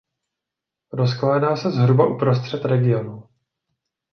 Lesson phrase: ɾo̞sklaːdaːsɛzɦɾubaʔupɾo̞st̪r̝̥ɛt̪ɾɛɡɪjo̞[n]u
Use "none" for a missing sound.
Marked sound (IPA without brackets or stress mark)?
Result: n